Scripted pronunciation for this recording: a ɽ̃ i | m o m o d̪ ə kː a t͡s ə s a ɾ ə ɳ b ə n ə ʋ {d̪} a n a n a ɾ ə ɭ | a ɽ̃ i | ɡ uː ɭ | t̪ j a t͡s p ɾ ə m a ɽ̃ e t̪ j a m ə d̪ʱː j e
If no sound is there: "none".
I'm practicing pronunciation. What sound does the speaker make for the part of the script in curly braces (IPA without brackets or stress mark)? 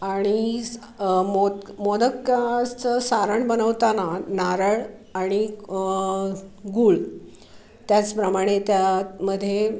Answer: t̪